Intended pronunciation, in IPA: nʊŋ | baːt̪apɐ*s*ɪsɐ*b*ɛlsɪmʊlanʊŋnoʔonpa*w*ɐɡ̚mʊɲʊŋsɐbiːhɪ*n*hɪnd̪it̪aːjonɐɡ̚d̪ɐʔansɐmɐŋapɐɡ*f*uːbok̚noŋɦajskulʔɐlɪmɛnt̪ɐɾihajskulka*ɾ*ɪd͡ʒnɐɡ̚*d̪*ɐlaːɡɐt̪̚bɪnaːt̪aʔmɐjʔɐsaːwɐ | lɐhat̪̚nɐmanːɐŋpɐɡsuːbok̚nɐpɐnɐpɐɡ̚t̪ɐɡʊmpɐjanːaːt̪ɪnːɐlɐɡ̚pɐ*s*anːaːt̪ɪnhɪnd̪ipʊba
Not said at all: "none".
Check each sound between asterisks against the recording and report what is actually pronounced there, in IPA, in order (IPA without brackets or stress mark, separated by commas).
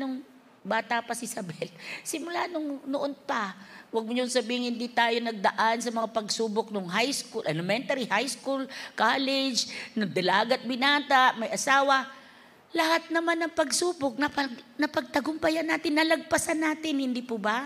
s, b, w, ŋ, s, l, d̪, s